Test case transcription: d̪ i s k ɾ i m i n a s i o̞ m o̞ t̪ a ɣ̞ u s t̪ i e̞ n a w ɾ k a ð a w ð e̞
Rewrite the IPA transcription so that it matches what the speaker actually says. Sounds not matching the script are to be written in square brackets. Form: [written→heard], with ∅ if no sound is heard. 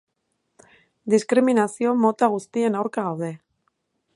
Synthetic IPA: d̪ i s k ɾ i m i n a s i o̞ m o̞ t̪ a ɣ̞ u s t̪ i e̞ n a w ɾ k a [ð→ɣ] a w ð e̞